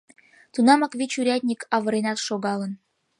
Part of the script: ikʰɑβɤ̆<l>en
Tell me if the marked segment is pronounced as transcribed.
no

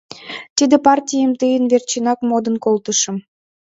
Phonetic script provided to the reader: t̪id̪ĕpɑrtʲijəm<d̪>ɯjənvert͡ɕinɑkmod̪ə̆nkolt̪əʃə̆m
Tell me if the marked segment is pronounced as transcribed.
no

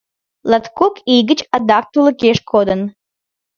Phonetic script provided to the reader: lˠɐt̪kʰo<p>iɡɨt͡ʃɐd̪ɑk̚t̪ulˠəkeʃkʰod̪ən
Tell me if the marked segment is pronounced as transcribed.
no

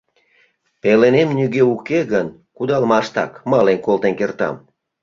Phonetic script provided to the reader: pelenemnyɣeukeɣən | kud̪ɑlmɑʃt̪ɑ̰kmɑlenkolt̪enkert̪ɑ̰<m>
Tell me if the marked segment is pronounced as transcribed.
yes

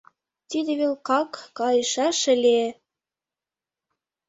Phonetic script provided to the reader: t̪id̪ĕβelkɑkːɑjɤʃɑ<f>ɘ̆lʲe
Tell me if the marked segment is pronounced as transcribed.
no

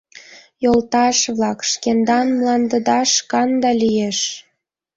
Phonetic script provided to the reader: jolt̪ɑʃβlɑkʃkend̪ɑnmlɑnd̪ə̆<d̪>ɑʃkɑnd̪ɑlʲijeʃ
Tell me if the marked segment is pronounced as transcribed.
yes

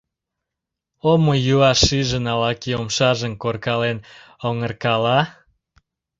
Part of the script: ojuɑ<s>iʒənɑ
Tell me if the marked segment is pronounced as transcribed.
no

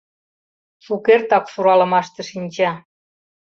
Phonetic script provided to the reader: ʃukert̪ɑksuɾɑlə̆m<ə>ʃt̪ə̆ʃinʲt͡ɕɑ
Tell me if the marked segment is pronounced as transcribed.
no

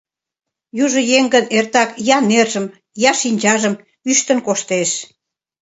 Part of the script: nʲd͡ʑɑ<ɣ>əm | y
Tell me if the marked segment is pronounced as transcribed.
no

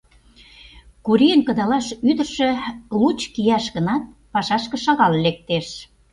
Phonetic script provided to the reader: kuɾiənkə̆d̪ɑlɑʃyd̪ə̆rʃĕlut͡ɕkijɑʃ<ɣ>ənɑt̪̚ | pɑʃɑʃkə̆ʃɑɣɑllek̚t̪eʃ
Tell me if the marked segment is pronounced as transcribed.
yes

